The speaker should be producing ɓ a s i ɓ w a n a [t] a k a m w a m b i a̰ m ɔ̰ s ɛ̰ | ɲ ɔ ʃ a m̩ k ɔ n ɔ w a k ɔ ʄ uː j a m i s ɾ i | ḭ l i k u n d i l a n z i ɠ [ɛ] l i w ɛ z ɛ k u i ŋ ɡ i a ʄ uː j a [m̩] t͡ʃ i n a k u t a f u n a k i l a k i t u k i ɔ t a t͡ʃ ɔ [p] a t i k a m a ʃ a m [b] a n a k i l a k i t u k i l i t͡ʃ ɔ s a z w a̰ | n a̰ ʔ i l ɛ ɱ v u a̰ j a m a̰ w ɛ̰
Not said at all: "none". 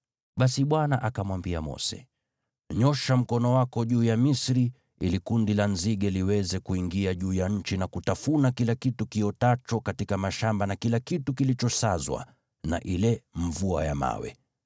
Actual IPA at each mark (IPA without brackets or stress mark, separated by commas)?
ʔ, ɛ, ɲ̩, k, b